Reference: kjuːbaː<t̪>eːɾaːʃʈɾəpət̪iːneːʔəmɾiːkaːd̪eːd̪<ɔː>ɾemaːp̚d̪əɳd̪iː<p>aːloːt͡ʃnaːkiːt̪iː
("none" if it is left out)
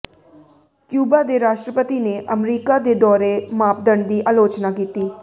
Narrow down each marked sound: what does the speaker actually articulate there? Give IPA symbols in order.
d̪, ɔː, ʔ

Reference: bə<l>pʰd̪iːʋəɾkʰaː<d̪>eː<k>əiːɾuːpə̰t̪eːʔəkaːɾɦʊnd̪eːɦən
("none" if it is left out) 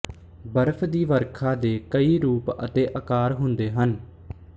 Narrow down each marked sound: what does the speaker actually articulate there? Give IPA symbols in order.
ɾ, d̪, k

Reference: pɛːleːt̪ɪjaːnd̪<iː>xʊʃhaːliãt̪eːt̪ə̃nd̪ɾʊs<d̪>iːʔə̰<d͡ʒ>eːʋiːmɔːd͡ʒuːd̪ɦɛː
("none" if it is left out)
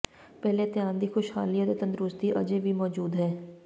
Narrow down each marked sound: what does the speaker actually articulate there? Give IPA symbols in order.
iː, t̪, d͡ʒ

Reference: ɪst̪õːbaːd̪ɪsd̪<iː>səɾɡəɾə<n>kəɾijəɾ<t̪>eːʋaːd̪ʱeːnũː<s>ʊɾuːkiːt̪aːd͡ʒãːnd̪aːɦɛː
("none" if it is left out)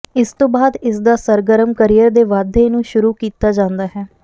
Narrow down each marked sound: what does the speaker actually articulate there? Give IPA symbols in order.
aː, m, d̪, ʃ

